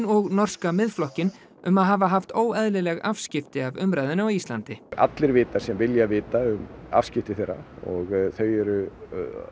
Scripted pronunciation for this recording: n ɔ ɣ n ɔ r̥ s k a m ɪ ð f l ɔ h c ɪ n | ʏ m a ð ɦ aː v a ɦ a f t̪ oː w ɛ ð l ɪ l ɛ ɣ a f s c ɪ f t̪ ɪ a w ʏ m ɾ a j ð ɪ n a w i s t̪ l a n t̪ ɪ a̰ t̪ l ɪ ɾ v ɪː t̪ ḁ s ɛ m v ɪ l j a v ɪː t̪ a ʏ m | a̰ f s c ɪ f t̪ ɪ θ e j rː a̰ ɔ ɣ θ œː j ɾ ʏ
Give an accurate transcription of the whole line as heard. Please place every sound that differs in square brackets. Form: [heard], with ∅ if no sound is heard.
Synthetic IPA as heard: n ɔ ɣ n ɔ r̥ s k a m ɪ ð f l ɔ h c ɪ n | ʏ m a ð ɦ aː v a ɦ a f t̪ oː w ɛ ð l ɪ l ɛ ɣ a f s c ɪ f t̪ ɪ a [v] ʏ m ɾ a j ð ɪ n a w i s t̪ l a n t̪ ɪ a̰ t̪ l ɪ ɾ v ɪː t̪ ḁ s ɛ m v ɪ l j a v ɪː t̪ a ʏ m | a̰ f s c ɪ f t̪ ɪ θ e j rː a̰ ɔ ɣ θ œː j ɾ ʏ

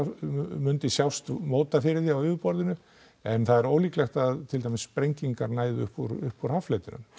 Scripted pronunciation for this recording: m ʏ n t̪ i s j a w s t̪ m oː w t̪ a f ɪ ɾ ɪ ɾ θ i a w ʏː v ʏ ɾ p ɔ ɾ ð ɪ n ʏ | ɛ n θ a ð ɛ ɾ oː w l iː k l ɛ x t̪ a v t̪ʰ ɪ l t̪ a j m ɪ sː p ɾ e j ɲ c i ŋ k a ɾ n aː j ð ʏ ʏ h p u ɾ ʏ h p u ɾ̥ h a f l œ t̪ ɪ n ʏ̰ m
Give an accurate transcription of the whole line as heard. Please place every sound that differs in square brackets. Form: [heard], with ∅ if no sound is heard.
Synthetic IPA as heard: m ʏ n t̪ [ɪ] s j a w s t̪ m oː w t̪ a f ɪ ɾ ɪ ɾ θ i a w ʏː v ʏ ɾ p ɔ ɾ ð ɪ n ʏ | ɛ n θ a ð ɛ ɾ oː w l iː k l ɛ x t̪ a [ð] t̪ʰ ɪ l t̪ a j m ɪ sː p ɾ e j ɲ c i ŋ k a ɾ n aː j ð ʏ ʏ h p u ɾ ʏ h p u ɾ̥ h a f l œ t̪ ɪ n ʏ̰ m

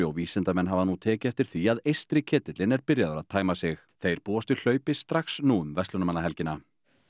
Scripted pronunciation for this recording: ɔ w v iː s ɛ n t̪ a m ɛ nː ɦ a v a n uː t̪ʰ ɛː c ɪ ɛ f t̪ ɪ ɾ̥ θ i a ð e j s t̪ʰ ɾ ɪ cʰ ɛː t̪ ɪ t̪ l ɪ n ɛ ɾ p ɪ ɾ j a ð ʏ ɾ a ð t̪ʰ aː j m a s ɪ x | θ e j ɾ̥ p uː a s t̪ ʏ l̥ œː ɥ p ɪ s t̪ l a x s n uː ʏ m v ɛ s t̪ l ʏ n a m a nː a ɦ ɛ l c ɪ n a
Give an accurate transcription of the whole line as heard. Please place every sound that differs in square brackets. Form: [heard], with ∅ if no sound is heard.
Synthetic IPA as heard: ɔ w v iː s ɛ n t̪ a m ɛ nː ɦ a v a n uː t̪ʰ ɛː c ɪ ɛ f t̪ ɪ ɾ̥ θ i a ð e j s [t̪] ɾ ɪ cʰ ɛː t̪ ɪ t̪ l ɪ n ɛ ɾ p ɪ ɾ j a ð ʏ ɾ a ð t̪ʰ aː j m a s ɪ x | θ e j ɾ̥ p uː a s t̪ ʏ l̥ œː ɥ p ɪ s t̪ [ɾ] a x s n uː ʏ m v ɛ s t̪ l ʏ n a m a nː a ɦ ɛ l c ɪ n a

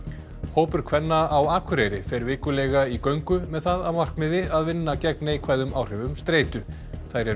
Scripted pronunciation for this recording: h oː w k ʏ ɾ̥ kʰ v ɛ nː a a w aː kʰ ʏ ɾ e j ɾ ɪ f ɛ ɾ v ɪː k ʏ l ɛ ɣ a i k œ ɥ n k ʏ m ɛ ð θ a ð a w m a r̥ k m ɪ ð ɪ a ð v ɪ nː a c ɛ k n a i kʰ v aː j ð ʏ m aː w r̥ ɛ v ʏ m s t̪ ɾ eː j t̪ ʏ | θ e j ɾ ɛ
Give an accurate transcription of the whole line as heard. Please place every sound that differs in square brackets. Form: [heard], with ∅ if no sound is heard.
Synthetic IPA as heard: h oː w [p] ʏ ɾ̥ kʰ v ɛ nː a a w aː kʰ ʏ ɾ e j ɾ ɪ f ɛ ɾ v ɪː k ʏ l ɛ ɣ a i k œ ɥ [ŋ] k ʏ m ɛ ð θ a ð a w m a r̥ k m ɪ ð ɪ a ð v ɪ nː a c ɛ k n a i kʰ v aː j ð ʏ m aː w r̥ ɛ v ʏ m s t̪ ɾ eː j t̪ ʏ | θ [a] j ɾ ɛ

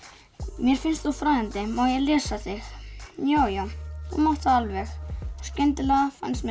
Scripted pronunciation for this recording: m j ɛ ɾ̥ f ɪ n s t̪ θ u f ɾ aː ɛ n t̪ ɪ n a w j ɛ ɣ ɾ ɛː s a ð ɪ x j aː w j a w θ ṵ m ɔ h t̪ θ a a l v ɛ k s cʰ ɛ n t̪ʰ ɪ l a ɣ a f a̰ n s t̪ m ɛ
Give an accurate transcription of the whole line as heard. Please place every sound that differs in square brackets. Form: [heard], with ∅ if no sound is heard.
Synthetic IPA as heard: m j ɛ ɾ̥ f ɪ n s t̪ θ u f ɾ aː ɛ n t̪ ɪ [m] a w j ɛ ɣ [l] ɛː s a [θ] ɪ x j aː w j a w θ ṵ m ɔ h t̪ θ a a l v ɛ [x] s [c] ɛ n [t̪] ɪ l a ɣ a f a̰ n s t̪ m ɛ

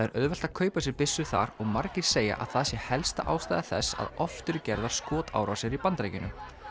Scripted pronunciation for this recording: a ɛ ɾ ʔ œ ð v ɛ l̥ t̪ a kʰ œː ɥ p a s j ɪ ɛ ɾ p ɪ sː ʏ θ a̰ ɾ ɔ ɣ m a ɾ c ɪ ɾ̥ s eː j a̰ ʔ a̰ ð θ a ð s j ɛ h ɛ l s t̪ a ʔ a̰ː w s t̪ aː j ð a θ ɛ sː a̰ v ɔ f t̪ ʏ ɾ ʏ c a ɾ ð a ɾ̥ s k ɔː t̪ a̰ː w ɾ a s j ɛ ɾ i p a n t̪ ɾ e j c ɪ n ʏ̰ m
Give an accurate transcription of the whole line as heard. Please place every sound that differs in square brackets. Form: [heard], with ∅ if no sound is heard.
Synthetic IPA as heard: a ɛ ɾ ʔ œ ð v ɛ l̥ t̪ a kʰ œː ɥ p a s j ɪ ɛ ɾ p ɪ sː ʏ θ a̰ ɾ ɔ ɣ m a ɾ c ɪ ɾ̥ s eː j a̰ ʔ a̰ ð θ a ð s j ɛ h ɛ l s t̪ a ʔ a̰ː w s t̪ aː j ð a θ ɛ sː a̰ [ð] ɔ f t̪ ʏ ɾ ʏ c [ɛ] ɾ ð a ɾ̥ s k ɔː t̪ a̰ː w ɾ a s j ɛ ɾ i p a n t̪ ɾ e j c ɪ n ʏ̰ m

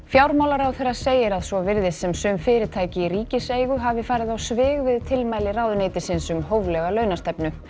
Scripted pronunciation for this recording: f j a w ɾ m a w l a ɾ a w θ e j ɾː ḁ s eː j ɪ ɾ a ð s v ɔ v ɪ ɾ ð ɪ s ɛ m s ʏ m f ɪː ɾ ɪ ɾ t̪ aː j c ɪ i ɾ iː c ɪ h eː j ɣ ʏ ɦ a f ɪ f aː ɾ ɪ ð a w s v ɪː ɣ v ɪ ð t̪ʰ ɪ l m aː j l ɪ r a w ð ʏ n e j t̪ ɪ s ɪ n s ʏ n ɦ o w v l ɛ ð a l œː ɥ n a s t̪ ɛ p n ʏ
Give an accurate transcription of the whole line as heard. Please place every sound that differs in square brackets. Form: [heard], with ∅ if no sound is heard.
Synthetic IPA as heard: f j a w ɾ m a w l a ɾ a w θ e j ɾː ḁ s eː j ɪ ɾ a ð s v ɔ v ɪ ɾ ð ɪ s ɛ m s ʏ m f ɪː ɾ ɪ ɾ [t̪ʰ] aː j c ɪ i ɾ iː c ɪ [s] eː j ɣ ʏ ɦ a [v] ɪ f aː ɾ ɪ ð a w s v ɪː ɣ v ɪ ð t̪ʰ ɪ l m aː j l ɪ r a w ð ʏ n e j t̪ ɪ s ɪ n s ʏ [m] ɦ o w v l ɛ [ɣ] a l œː ɥ n a s t̪ ɛ p n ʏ

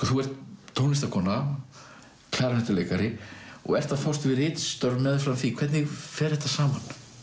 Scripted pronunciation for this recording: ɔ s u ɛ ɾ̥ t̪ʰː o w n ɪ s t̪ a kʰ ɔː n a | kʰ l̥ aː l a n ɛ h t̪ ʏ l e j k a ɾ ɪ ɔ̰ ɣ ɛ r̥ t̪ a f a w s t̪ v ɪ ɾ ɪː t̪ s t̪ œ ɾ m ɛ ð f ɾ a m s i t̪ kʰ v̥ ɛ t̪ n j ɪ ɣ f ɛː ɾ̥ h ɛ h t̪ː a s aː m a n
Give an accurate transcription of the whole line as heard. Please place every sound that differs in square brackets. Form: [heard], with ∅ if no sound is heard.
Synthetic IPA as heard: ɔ [θ] u ɛ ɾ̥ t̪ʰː o w n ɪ s t̪ a kʰ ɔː n a | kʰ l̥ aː [ɾ] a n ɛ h t̪ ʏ l e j k a ɾ ɪ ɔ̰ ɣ ɛ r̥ t̪ a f a w s t̪ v ɪ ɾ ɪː t̪ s t̪ œ ɾ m ɛ ð f ɾ a m [θ] i [∅] kʰ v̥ ɛ t̪ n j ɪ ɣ f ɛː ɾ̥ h ɛ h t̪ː a s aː m a n

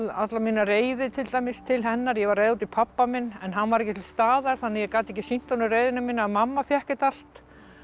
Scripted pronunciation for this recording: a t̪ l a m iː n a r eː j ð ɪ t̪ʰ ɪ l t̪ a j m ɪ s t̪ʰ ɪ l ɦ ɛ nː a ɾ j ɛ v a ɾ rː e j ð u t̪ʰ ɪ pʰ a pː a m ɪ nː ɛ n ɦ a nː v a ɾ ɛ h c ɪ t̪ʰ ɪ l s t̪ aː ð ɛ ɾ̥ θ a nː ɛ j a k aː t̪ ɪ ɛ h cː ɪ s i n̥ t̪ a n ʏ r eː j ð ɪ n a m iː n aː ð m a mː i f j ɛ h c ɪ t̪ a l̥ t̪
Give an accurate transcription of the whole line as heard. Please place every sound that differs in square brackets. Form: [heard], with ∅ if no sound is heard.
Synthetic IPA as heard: a t̪ l a m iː n a r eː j ð ɪ t̪ʰ ɪ l t̪ a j m ɪ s t̪ʰ ɪ l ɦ ɛ nː a ɾ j ɛ v a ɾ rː e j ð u [t̪] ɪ pʰ a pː a m ɪ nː ɛ n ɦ a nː v a ɾ ɛ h c ɪ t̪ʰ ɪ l s t̪ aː ð [a] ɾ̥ θ a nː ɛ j [ɛ] k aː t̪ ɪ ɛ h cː ɪ s i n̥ t̪ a n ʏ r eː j ð ɪ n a m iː n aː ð m a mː [a] f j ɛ h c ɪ t̪ a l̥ t̪

